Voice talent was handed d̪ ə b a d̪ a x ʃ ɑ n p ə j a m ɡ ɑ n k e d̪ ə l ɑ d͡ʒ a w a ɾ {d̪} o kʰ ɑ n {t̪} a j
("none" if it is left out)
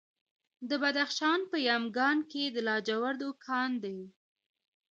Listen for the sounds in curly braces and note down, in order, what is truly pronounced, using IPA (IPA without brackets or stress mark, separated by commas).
d̪, d̪